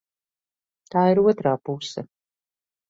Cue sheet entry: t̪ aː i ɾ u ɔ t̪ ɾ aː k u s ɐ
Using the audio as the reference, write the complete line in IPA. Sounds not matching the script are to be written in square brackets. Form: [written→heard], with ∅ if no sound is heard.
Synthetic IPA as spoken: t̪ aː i ɾ u ɔ t̪ ɾ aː [k→p] u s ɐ